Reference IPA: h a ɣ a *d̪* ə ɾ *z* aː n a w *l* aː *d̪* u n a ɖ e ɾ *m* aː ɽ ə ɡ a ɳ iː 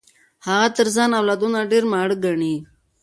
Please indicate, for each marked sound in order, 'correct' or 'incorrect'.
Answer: incorrect: t̪, correct, correct, correct, correct

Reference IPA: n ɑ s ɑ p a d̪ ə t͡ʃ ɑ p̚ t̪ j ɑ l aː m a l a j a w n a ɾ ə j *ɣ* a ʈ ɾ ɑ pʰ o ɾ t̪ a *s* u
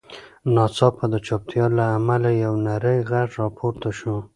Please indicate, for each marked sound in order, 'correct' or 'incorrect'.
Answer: correct, incorrect: ʃ

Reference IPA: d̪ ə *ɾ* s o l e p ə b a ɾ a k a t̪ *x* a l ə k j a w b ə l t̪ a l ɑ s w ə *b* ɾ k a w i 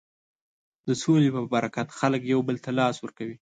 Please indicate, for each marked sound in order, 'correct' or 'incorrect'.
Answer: incorrect: none, correct, incorrect: none

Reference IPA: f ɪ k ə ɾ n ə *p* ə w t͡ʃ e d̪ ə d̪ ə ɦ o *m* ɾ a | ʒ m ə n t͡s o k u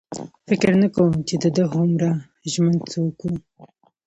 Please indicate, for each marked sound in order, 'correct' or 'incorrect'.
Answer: incorrect: k, correct

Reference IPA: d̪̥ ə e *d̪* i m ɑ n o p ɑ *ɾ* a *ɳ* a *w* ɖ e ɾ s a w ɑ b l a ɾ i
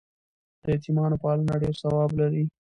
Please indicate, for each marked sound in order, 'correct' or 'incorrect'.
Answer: incorrect: t̪, incorrect: l, incorrect: n, incorrect: none

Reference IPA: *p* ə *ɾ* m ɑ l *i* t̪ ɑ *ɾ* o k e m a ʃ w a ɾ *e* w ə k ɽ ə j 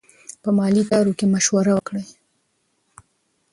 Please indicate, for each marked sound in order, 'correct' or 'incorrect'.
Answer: correct, incorrect: none, correct, correct, incorrect: a

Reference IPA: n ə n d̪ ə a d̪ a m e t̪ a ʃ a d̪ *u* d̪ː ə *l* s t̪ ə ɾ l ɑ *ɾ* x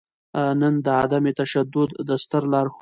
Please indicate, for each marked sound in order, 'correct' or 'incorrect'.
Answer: incorrect: ʊ, incorrect: none, correct

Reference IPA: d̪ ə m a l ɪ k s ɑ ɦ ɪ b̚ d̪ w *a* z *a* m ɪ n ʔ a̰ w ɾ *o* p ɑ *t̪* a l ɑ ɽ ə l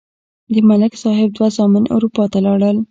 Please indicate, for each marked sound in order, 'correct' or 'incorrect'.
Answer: correct, incorrect: ɑ, incorrect: u, correct

